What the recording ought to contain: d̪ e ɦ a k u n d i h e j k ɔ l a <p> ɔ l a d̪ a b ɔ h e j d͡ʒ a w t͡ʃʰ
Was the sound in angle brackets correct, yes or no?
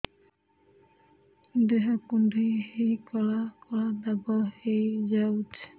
no